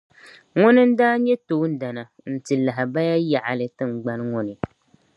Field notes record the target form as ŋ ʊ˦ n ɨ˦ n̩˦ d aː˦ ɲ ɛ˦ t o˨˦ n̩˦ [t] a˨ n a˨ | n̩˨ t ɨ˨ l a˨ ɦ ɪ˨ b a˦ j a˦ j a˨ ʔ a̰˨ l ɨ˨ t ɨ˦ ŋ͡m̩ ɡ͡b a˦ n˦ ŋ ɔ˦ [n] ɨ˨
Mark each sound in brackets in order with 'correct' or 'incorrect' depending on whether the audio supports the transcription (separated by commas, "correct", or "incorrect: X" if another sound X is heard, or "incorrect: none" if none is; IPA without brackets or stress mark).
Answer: incorrect: d, correct